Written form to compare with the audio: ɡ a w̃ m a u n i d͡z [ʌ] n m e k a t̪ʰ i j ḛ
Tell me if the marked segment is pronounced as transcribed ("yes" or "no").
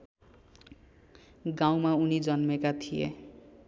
yes